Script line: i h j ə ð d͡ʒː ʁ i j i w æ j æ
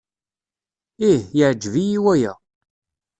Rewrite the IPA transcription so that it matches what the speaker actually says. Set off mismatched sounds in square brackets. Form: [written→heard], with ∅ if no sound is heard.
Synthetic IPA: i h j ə [ð→ʕ] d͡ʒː [ʁ→v] i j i w æ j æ